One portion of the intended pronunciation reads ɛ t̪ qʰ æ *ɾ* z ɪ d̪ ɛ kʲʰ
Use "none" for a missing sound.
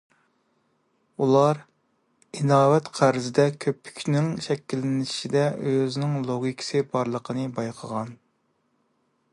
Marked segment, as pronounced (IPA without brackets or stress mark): ɾ